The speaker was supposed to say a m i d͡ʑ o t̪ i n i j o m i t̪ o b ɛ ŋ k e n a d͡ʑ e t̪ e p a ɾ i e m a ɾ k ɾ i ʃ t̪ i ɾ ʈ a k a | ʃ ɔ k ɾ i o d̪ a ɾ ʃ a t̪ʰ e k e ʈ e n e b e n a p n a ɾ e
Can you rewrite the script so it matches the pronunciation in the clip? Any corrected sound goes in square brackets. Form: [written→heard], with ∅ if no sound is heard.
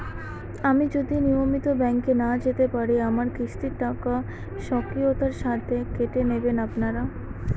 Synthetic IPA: a m i d͡ʑ o [t̪→d̪] i n i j o m i t̪ o b ɛ ŋ k e n a d͡ʑ e t̪ e p a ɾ i [e→a] m a ɾ k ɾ i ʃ t̪ i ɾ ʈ a k a | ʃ ɔ k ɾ i o [d̪→t̪] a ɾ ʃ a t̪ʰ e k e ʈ e n e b e n a p n a ɾ [e→a]

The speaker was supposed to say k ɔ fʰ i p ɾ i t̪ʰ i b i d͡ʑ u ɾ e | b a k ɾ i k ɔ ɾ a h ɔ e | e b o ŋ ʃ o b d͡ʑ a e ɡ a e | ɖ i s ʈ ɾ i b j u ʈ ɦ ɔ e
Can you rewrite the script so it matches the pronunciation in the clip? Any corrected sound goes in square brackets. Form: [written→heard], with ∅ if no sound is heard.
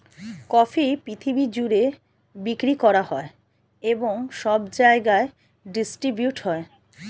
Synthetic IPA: k ɔ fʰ i p ɾ i t̪ʰ i b i d͡ʑ u ɾ e | b [a→i] k ɾ i k ɔ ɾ a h ɔ e | e b o ŋ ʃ [o→ɔ] b d͡ʑ a e ɡ a e | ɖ i s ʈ ɾ i b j u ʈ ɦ ɔ e

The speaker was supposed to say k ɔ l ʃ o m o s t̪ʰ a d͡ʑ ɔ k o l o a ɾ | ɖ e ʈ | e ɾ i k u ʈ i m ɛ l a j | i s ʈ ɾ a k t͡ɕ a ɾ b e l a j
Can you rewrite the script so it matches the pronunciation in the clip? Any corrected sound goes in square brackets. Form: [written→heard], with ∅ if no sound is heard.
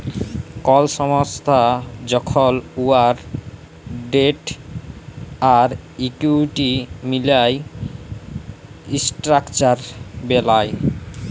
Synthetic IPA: k ɔ l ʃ [o→ɔ] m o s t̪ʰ a d͡ʑ ɔ [k→kʰ] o l [o→u] a ɾ | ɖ e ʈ | [e→a] ɾ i k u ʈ i m [ɛ→i] l a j | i s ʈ ɾ a k t͡ɕ a ɾ b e l a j

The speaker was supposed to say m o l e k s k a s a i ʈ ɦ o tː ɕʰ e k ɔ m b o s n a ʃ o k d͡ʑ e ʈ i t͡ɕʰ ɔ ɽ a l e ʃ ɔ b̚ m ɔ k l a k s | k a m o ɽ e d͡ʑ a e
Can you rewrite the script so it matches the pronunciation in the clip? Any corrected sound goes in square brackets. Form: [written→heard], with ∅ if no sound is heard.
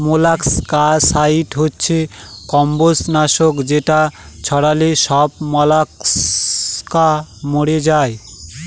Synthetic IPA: m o l [e→a] k s k a s a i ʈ ɦ o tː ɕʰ e k ɔ m b o s n a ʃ o k d͡ʑ e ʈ [i→a] t͡ɕʰ ɔ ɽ a l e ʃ ɔ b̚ m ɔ [k→∅] l a k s | k a m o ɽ e d͡ʑ a e

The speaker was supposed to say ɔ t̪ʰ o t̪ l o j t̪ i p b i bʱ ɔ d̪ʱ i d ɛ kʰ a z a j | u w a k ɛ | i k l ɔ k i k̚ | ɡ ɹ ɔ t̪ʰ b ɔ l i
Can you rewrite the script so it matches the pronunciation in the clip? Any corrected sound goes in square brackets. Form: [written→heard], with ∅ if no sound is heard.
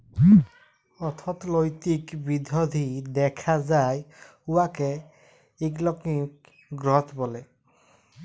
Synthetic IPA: ɔ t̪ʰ [o→ɔ] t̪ l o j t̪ i [p→k] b i [bʱ→dʱ] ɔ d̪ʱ i d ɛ kʰ a z a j | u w a k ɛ | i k l ɔ k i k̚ | ɡ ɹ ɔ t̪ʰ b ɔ l [i→ɛ]

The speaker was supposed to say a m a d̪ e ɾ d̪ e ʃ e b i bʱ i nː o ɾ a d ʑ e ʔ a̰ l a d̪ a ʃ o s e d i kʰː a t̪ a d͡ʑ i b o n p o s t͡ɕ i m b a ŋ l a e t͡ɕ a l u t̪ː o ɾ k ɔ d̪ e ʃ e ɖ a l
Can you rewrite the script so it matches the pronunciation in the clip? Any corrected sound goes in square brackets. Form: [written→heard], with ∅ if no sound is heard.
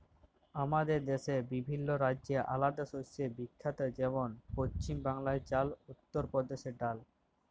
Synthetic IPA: a m a d̪ e ɾ d̪ e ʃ e b i bʱ i nː o ɾ a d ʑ e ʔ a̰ l a d̪ a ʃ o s e [d→b] i kʰː a t̪ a d͡ʑ [i→ɛ] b o n p o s t͡ɕ i m b a ŋ l a e t͡ɕ a l u t̪ː o ɾ [k→p] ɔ d̪ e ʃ e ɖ a l

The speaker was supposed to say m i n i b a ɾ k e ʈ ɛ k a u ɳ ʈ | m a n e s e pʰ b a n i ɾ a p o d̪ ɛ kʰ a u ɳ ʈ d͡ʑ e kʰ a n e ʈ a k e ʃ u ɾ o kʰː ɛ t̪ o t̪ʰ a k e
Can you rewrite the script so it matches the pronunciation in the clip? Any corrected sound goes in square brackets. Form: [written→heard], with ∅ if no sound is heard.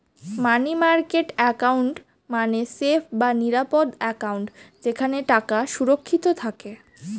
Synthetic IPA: m [i→a] n i [b→m] a ɾ k e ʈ ɛ k a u ɳ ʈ | m a n e s e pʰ b a n i ɾ a p o d̪ ɛ [kʰ→k] a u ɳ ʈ d͡ʑ e kʰ a n e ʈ a k [e→a] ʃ u ɾ o kʰː [ɛ→i] t̪ o t̪ʰ a k e

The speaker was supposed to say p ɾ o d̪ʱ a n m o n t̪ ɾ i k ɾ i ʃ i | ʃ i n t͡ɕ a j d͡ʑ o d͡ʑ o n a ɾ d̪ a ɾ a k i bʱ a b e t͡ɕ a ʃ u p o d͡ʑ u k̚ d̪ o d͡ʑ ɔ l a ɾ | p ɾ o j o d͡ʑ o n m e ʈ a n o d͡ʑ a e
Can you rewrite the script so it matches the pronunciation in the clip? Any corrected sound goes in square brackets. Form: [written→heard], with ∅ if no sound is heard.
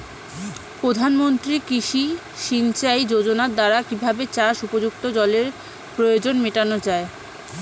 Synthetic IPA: p ɾ o d̪ʱ a n m o n t̪ ɾ i k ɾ i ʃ i | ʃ i n t͡ɕ a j d͡ʑ o d͡ʑ o n a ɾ d̪ a ɾ a k i bʱ a b e t͡ɕ a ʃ u p o d͡ʑ u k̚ [d̪→t̪] o d͡ʑ ɔ l [a→e] ɾ | p ɾ o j o d͡ʑ o n m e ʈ a n o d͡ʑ a e

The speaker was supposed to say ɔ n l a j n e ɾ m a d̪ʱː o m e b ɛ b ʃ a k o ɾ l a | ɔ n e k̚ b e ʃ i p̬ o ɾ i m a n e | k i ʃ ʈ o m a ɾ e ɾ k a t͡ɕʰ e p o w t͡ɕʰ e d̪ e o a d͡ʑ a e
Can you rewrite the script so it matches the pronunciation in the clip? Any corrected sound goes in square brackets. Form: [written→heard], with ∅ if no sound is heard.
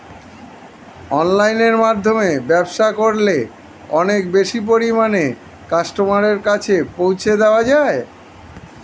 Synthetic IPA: ɔ n l a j n e ɾ m a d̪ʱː o m e b ɛ b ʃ a k o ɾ l [a→e] | ɔ n e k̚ b e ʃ i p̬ o ɾ i m a n e | k [i→a] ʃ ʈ o m a ɾ e ɾ k a t͡ɕʰ e p o w t͡ɕʰ e d̪ e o a d͡ʑ a e

